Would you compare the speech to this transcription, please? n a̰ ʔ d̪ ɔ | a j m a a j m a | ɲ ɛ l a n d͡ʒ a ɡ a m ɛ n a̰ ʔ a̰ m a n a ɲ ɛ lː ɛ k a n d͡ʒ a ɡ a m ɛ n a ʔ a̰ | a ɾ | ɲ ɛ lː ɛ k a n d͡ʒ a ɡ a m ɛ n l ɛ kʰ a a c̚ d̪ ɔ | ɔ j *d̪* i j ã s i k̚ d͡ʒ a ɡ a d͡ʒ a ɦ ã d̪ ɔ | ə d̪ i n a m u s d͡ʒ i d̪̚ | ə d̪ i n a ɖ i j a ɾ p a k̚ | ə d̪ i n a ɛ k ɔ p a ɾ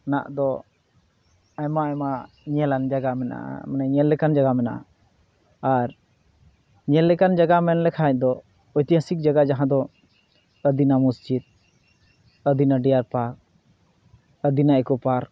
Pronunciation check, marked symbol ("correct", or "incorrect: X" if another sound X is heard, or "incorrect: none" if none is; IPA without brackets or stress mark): incorrect: t̪